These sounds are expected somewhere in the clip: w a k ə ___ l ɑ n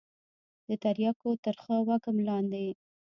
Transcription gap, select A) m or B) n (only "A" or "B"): A